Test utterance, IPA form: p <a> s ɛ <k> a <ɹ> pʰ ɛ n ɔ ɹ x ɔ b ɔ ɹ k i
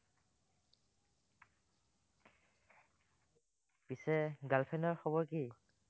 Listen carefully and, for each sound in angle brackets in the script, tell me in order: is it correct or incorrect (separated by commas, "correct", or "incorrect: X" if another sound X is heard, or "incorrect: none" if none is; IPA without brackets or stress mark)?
incorrect: i, incorrect: ɡ, incorrect: l